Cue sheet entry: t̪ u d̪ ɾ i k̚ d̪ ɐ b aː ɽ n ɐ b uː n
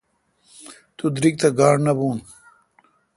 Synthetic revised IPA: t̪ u d̪ ɾ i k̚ t̪ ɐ ɡ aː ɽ n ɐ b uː n